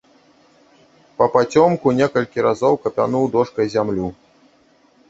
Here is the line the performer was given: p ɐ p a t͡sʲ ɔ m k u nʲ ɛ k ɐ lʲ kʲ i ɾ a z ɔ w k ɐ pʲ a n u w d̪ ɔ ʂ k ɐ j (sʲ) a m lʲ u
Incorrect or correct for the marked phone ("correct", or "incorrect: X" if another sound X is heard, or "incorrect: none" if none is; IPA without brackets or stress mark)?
incorrect: zʲ